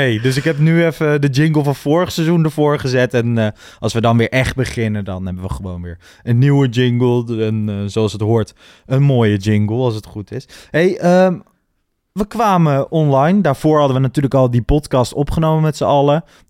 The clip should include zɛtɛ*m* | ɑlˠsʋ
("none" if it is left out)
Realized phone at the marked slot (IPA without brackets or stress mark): n